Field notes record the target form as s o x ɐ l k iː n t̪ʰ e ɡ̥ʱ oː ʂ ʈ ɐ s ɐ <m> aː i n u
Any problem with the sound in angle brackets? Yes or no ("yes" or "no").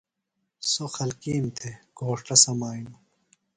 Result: no